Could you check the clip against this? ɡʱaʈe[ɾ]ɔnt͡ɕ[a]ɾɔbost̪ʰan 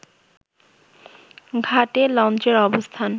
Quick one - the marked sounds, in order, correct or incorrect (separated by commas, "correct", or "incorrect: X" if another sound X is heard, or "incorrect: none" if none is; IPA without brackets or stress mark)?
incorrect: l, incorrect: e